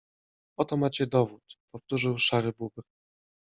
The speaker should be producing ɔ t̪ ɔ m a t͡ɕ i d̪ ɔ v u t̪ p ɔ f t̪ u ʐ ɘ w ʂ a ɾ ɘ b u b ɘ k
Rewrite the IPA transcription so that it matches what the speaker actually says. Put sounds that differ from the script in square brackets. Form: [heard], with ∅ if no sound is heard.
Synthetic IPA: ɔ t̪ ɔ m a t͡ɕ [ɛ] d̪ ɔ v u t̪ p ɔ f t̪ u ʐ ɘ w ʂ a ɾ ɘ b u b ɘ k